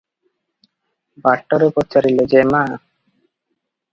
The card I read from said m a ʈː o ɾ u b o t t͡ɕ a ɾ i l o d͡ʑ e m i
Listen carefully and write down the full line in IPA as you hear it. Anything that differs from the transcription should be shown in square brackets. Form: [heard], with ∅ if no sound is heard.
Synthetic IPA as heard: [b] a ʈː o ɾ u [p] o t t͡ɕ a ɾ i l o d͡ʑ e m [a]